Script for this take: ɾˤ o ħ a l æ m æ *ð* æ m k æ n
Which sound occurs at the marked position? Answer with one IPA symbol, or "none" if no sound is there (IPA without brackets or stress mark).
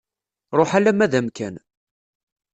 ð